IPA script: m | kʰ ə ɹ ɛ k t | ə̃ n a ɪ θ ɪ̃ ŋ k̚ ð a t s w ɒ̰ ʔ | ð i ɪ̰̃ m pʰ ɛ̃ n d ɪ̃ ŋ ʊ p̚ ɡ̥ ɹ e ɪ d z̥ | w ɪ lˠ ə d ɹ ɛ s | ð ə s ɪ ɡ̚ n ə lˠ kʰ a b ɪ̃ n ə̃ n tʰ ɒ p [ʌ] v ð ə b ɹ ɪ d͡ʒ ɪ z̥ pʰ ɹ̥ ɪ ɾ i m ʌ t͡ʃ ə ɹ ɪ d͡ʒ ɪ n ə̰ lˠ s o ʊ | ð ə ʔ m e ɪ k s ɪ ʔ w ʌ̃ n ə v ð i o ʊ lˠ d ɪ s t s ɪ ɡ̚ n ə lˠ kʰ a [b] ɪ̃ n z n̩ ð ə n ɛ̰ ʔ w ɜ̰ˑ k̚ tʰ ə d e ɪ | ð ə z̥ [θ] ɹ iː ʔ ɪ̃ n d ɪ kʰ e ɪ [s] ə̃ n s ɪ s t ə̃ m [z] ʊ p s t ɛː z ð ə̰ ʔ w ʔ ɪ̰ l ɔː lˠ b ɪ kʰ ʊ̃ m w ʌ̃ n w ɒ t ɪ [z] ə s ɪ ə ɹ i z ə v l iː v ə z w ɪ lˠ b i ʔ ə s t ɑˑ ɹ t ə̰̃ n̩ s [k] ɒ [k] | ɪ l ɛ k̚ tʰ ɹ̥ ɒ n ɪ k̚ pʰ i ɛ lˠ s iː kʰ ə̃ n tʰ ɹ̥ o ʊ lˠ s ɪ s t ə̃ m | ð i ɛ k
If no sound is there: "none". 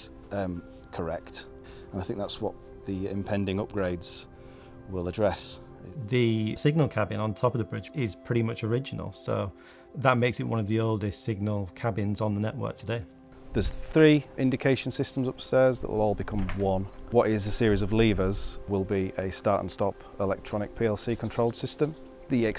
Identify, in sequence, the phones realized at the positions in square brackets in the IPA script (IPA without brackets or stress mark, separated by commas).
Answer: ə, b, θ, ʃ, z, z, t, p